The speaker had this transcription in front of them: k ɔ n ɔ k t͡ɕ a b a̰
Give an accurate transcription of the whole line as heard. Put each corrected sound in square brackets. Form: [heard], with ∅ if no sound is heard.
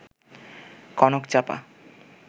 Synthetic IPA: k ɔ n [o] k t͡ɕ a [p] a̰